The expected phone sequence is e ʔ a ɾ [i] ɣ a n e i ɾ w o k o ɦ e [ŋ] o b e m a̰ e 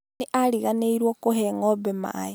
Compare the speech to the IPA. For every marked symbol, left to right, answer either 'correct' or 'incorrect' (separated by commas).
correct, correct